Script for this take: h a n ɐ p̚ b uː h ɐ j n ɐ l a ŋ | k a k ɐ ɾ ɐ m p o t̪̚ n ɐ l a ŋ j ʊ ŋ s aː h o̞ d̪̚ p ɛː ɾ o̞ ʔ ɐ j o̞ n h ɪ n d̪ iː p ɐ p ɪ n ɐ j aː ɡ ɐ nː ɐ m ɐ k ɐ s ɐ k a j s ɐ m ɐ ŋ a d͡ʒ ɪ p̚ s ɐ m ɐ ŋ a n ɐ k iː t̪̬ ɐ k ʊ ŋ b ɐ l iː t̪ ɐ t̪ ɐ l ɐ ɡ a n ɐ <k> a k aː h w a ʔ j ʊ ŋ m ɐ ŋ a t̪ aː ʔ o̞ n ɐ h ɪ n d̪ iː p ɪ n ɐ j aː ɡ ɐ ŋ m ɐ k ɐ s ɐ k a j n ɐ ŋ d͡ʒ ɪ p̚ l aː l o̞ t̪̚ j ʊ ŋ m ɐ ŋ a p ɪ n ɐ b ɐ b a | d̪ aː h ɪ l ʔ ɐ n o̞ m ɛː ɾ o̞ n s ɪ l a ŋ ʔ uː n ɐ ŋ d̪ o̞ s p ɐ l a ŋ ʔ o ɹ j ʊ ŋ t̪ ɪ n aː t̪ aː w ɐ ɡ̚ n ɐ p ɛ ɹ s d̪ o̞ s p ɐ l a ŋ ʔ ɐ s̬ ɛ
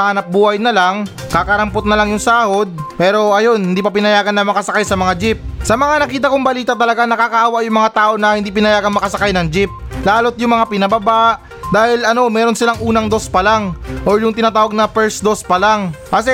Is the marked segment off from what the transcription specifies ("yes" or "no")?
no